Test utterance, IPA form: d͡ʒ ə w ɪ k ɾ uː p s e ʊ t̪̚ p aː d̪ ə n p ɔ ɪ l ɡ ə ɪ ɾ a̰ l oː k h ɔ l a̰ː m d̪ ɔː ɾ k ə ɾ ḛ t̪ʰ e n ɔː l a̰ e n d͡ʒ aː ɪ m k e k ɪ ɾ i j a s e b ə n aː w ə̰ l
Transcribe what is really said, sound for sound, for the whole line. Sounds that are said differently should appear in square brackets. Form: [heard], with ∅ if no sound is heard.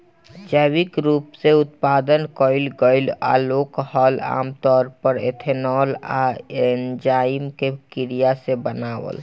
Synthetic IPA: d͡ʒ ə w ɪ k ɾ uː p s e ʊ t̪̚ p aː d̪ ə n [k] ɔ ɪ l ɡ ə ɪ [l] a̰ l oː k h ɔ l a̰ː m [t̪] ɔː ɾ [p] ə ɾ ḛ t̪ʰ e n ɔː l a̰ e n d͡ʒ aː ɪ m k e k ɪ ɾ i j a s e b ə n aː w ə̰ l